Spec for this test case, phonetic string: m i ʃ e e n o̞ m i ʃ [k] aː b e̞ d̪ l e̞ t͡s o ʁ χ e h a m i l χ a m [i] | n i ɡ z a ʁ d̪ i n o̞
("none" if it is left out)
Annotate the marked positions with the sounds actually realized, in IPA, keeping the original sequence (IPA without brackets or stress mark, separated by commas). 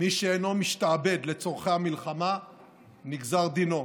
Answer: t, a